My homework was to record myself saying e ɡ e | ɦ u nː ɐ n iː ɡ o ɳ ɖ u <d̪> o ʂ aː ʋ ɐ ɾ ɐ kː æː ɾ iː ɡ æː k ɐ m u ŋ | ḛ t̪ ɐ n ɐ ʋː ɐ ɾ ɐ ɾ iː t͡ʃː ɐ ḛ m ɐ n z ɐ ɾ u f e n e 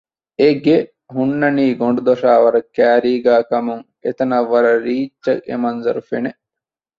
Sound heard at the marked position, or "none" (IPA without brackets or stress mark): d̪